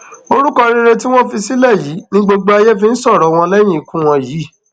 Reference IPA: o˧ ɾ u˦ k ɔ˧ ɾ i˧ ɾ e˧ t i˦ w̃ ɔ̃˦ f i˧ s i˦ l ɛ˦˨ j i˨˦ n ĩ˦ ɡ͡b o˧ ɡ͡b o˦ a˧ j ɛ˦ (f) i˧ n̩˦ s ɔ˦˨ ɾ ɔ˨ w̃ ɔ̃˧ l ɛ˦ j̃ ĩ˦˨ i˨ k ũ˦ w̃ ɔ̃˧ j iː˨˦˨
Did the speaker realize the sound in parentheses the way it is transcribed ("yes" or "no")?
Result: yes